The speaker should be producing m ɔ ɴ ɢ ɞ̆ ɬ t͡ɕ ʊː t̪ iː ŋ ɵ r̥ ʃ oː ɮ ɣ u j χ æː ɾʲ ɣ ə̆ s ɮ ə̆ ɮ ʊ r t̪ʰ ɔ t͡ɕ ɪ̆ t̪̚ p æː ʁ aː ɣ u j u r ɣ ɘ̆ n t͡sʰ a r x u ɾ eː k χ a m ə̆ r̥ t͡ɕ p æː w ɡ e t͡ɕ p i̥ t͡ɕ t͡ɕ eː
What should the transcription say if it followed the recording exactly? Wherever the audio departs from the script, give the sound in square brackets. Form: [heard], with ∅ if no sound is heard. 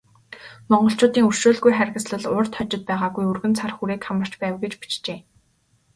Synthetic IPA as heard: m ɔ ɴ ɢ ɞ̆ ɬ t͡ɕ ʊː t̪ iː ŋ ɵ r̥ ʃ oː ɮ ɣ u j χ [æ] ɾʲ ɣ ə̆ s ɮ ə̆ ɮ ʊ r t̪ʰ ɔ t͡ɕ ɪ̆ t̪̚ p æː ʁ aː ɣ u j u r ɣ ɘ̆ n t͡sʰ a r x u ɾ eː k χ a m ə̆ r̥ t͡ɕ p æː w ɡ e t͡ɕ p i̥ t͡ɕ t͡ɕ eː